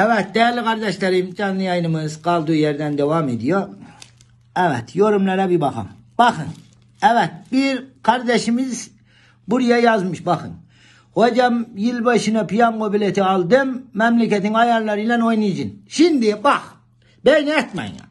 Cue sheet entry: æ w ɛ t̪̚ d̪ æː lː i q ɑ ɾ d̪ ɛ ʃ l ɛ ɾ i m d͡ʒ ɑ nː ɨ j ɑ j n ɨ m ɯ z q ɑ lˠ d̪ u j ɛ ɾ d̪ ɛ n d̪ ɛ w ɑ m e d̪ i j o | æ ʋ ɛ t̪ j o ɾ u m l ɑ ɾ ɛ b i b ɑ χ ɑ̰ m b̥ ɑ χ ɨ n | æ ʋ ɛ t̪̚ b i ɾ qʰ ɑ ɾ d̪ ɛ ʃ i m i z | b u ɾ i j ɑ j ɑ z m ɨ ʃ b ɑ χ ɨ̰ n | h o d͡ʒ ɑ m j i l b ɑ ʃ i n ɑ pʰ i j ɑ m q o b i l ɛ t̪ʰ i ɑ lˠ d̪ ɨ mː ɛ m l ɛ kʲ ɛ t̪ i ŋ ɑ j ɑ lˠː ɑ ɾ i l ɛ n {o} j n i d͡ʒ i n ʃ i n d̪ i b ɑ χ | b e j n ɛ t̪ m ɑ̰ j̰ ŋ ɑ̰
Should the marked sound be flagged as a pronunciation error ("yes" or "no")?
no